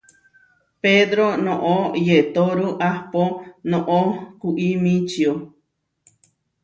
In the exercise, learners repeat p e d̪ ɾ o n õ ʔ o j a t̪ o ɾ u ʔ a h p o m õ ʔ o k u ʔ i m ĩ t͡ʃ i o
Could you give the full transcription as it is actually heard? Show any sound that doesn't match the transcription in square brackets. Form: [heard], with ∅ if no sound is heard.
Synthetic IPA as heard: p e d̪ ɾ o n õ ʔ o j [e] t̪ o ɾ u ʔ a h p o [n] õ ʔ o k u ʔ i m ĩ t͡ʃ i o